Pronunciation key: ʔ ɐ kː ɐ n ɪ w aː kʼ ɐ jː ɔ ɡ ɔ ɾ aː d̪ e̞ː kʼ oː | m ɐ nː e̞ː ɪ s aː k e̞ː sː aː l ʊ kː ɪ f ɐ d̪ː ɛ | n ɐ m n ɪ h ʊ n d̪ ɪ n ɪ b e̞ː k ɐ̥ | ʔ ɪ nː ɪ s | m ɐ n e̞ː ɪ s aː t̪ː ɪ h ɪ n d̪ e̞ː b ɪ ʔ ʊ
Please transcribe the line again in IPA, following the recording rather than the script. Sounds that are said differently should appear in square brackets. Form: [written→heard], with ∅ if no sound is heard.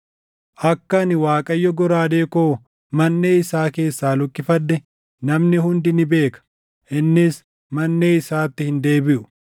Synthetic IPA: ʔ ɐ kː ɐ n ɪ w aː kʼ ɐ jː ɔ ɡ ɔ ɾ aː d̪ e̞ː [kʼ→k] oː | m ɐ nː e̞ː ɪ s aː k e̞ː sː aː l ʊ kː ɪ f ɐ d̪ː ɛ | n ɐ m n ɪ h ʊ n d̪ ɪ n ɪ b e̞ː k ɐ̥ | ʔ ɪ nː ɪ s | m ɐ [n→nː] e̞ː ɪ s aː t̪ː ɪ h ɪ n d̪ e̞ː b ɪ ʔ ʊ